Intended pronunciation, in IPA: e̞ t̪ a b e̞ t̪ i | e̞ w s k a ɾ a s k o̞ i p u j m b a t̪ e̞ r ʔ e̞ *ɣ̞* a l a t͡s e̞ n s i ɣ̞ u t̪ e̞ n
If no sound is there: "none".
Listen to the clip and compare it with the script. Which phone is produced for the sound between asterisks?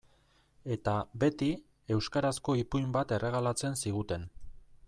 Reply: ɣ̞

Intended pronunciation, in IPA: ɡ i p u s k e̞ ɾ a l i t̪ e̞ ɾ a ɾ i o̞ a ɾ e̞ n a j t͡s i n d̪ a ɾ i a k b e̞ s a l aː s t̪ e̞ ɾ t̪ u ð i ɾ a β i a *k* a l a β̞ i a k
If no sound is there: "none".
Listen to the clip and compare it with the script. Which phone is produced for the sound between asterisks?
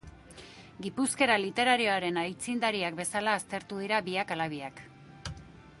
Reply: k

